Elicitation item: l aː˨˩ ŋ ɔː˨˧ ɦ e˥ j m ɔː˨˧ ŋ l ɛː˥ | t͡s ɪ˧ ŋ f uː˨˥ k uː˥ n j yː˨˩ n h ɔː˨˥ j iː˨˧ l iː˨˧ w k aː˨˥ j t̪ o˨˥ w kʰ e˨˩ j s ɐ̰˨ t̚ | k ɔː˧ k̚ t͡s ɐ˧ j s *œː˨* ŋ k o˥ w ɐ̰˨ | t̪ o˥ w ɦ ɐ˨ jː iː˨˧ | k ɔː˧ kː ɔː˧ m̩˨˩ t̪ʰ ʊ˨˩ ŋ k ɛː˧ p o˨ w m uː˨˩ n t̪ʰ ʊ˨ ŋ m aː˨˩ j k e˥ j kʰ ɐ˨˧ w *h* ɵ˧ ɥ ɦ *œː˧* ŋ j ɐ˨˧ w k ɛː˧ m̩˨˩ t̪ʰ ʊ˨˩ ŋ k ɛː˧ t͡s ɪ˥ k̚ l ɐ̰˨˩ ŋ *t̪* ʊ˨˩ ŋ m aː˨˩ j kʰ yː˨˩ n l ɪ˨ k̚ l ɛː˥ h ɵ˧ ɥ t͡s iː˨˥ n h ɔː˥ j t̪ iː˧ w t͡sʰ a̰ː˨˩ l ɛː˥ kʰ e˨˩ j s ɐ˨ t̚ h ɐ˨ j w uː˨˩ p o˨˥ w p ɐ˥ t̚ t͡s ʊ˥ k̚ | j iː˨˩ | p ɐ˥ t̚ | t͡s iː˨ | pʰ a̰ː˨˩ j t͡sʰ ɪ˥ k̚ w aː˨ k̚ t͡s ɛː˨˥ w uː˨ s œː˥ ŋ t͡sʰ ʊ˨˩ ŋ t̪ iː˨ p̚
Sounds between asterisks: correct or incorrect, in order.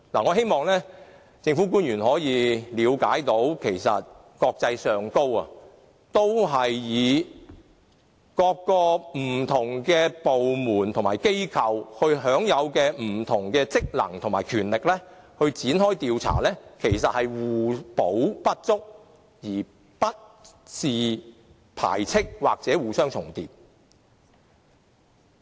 correct, correct, incorrect, incorrect

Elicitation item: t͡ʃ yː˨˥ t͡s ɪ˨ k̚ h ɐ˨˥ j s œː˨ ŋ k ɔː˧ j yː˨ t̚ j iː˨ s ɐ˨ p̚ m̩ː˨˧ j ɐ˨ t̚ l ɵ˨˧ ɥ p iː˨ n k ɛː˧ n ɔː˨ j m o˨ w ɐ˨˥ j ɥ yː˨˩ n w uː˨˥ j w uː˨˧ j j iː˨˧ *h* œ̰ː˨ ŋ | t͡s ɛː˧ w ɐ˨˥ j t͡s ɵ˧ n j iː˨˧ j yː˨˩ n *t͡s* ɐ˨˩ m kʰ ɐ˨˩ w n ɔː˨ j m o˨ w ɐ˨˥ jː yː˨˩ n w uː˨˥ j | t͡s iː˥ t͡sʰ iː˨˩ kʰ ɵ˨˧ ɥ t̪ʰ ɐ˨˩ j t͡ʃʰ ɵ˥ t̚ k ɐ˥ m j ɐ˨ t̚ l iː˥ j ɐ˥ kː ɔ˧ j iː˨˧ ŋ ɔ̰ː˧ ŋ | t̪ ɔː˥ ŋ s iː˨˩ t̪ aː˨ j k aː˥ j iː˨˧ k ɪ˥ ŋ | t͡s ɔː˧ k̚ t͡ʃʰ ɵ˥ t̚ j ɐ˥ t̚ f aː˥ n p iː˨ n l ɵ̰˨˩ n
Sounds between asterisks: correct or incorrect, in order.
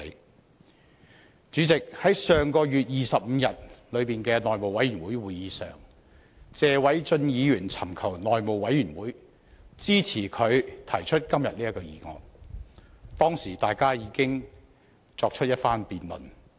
incorrect, incorrect

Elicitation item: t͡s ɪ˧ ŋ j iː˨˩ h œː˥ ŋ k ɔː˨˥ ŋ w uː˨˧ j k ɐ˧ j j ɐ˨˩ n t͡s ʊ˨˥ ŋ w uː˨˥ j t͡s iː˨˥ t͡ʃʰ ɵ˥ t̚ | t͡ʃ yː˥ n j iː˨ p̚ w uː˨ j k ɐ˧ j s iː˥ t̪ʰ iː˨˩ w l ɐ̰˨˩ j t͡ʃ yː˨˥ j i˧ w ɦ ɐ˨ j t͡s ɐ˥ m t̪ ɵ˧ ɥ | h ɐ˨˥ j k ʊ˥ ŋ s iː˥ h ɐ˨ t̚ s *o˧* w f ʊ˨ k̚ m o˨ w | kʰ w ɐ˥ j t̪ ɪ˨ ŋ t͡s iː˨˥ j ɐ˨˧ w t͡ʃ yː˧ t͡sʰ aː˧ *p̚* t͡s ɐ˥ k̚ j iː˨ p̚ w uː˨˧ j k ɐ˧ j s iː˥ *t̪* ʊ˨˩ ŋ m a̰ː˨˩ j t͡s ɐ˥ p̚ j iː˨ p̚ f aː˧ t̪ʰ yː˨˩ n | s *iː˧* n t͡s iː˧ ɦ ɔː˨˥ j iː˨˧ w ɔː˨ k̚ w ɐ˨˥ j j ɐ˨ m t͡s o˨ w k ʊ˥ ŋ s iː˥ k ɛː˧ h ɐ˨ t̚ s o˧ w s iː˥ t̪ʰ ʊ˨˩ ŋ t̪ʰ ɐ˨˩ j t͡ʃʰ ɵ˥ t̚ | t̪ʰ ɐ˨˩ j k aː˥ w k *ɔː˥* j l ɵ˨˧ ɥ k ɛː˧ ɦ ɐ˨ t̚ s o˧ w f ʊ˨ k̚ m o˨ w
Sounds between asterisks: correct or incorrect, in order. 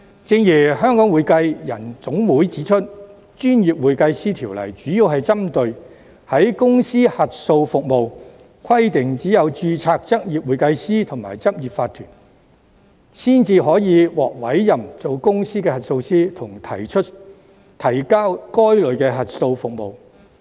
correct, incorrect, incorrect, incorrect, correct

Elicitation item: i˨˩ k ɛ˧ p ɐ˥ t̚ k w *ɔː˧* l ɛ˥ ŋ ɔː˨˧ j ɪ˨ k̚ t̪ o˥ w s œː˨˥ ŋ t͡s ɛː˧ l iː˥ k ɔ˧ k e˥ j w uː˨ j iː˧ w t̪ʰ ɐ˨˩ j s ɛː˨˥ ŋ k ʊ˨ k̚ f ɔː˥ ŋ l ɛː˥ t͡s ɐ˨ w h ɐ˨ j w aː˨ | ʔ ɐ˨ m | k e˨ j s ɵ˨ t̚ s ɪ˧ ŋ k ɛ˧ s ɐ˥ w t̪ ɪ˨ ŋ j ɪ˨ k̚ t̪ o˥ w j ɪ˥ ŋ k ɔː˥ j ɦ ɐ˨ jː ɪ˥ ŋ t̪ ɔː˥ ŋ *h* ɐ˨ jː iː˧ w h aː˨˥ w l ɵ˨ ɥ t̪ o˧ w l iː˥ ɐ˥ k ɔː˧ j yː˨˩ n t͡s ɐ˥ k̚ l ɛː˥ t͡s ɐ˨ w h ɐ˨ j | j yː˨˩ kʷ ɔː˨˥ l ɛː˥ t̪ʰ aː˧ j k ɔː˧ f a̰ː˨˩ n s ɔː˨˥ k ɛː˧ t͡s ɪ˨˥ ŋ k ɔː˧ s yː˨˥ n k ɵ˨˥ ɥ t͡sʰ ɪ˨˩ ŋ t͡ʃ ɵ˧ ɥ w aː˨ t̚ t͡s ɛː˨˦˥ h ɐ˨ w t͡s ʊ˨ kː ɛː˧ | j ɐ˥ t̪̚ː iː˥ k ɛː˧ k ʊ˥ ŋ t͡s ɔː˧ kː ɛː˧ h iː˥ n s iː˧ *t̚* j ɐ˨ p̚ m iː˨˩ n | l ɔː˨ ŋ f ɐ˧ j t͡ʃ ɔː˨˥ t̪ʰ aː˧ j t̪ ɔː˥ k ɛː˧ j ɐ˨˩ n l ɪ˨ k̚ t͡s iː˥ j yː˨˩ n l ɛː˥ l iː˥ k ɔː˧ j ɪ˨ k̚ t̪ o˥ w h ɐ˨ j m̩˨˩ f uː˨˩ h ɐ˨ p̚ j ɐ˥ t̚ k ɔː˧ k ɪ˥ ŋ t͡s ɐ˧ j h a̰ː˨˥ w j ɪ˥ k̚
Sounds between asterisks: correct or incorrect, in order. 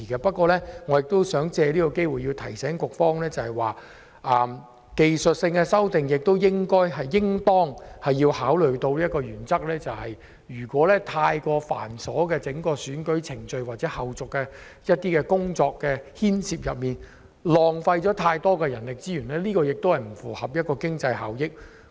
correct, correct, incorrect

